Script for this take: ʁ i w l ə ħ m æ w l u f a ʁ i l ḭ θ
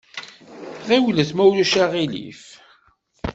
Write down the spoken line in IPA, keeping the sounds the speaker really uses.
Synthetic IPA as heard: ʁ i w l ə θ m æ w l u ʃ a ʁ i l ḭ f